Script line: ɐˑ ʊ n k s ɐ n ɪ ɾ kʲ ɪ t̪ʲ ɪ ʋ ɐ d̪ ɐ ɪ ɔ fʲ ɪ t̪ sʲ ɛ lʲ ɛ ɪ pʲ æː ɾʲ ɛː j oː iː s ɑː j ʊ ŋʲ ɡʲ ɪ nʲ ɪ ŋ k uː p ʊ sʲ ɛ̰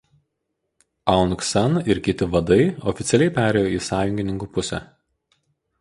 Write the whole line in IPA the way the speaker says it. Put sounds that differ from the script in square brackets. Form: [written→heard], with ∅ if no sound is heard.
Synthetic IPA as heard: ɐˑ ʊ n k s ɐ n ɪ ɾ kʲ ɪ t̪ʲ ɪ ʋ ɐ d̪ ɐ ɪ ɔ fʲ ɪ t̪ sʲ ɛ lʲ ɛ ɪ pʲ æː ɾʲ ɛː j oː iː s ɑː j ʊ ŋʲ ɡʲ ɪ nʲ ɪ ŋ k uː p ʊ sʲ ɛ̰